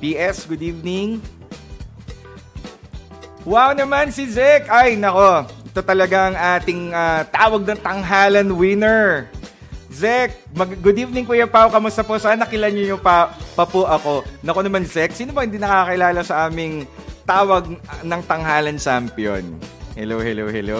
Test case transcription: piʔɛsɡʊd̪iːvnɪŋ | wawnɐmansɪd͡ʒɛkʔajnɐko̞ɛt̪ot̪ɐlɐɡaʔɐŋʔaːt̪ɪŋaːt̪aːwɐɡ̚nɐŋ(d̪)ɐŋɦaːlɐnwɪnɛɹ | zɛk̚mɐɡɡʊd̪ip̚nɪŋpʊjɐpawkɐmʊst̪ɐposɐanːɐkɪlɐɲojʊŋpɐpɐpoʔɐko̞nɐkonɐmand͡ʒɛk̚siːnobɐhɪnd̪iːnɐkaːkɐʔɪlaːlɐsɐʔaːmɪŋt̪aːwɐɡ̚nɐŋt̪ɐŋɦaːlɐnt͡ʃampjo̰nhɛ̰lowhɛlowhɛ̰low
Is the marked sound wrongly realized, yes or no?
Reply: yes